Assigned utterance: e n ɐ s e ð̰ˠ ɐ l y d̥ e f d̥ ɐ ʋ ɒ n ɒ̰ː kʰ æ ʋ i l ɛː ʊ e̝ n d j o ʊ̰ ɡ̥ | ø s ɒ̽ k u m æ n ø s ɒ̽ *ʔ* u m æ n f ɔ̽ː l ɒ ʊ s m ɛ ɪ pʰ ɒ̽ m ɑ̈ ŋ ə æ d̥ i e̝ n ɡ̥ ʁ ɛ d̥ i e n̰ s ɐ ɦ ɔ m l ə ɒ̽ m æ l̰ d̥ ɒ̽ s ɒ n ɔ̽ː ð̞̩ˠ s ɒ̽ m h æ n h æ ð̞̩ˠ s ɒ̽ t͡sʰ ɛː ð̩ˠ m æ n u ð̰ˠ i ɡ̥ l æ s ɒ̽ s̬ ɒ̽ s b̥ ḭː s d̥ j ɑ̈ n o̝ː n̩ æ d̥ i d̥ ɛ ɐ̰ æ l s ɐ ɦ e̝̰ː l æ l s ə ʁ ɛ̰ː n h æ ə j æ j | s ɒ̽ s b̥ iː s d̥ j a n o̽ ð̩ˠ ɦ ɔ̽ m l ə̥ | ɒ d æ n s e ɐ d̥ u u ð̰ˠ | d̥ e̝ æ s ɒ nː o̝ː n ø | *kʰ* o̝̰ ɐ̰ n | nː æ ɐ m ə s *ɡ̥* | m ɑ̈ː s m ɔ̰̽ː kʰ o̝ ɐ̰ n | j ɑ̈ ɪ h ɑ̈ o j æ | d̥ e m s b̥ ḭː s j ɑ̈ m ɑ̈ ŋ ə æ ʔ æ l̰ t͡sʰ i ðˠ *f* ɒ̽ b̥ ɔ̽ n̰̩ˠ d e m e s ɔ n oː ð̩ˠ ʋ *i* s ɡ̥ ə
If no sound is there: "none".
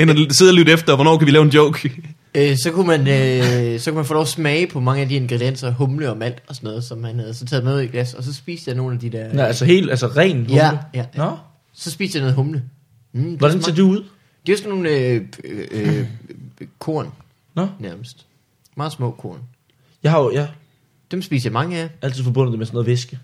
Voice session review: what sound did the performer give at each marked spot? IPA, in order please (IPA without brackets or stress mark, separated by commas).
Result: k, kʰ, d̥, f, e